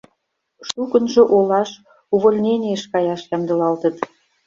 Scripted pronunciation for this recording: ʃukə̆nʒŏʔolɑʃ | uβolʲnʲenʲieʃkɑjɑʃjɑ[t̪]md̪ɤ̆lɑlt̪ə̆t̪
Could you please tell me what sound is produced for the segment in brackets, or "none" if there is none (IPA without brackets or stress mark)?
none